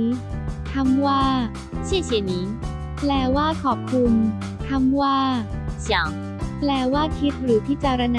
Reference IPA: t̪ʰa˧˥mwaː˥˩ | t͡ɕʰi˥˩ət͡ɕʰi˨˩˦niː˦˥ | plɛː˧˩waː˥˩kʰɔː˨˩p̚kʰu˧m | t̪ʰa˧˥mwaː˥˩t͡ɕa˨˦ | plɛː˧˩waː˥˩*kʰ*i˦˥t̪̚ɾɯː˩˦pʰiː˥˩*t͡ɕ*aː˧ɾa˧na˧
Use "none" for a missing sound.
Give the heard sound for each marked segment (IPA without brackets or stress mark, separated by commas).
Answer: kʰ, t͡ɕ